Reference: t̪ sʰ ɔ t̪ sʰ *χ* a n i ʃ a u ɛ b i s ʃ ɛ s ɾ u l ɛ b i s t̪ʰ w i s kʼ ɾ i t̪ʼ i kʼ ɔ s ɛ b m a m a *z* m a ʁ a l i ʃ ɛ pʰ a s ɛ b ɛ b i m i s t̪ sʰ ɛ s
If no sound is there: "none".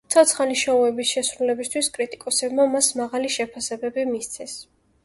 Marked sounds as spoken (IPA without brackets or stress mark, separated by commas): χ, s